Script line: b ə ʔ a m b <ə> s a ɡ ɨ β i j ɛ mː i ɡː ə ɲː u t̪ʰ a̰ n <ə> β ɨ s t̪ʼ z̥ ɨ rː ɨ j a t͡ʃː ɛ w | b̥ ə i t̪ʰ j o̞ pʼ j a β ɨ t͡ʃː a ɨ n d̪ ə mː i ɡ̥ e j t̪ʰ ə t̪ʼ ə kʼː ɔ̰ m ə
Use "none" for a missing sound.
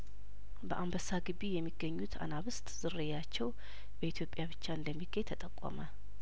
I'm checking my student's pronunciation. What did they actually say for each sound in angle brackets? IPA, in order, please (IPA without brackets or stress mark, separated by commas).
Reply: ə, a